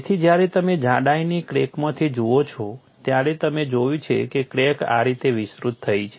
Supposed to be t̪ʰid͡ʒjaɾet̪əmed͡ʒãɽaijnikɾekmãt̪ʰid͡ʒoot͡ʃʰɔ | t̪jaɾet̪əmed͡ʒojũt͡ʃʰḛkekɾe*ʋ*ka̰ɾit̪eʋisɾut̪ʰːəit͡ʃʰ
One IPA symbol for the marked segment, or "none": none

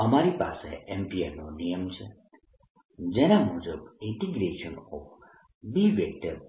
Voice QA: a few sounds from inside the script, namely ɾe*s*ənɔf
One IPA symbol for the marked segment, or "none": ʃ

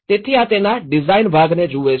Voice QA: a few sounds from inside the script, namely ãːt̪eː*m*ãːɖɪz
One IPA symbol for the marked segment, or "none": n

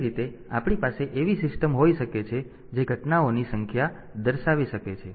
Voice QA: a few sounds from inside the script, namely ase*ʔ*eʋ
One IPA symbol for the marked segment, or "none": ʔ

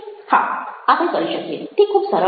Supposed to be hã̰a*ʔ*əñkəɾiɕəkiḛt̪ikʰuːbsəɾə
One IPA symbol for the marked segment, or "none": p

